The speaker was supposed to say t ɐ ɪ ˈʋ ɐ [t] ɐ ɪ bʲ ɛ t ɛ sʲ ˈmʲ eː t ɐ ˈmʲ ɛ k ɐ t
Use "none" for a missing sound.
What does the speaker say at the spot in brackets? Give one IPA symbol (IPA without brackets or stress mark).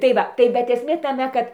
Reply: t